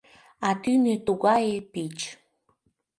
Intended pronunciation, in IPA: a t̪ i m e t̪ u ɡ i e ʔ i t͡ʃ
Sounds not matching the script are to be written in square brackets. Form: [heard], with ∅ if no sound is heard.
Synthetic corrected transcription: a t̪ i [n] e t̪ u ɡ [a] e [p] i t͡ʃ